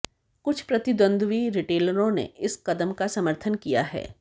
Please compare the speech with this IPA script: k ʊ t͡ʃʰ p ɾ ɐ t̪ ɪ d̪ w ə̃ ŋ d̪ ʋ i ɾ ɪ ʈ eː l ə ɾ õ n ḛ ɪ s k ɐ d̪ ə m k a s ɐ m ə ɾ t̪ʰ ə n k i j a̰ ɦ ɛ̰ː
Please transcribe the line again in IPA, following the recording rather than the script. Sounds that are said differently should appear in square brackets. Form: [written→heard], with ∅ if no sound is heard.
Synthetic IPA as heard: k ʊ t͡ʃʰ p ɾ ɐ t̪ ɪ d̪ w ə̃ [ŋ→n] d̪ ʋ i ɾ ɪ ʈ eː l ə ɾ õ n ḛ ɪ s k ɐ d̪ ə m k a s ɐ m ə ɾ t̪ʰ ə n k i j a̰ ɦ ɛ̰ː